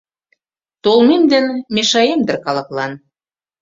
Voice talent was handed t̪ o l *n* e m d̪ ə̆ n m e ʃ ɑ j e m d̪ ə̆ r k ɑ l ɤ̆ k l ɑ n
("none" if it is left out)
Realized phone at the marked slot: m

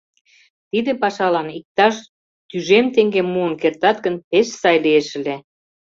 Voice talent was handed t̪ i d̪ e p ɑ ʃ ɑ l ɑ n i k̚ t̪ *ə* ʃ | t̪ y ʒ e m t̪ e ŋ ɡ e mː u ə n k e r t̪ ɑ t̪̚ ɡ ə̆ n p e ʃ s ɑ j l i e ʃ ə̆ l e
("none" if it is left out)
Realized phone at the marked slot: ɑ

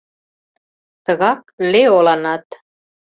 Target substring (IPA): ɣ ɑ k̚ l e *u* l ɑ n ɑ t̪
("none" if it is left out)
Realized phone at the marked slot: o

